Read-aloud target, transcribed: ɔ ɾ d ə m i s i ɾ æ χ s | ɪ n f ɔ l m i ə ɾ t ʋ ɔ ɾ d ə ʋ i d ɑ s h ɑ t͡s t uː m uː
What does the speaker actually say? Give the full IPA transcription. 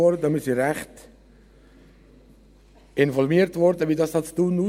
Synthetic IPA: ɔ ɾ d ə m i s i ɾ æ χ t | ɪ n f ɔ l m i ə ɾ t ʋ ɔ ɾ d ə ʋ i d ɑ s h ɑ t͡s t uː n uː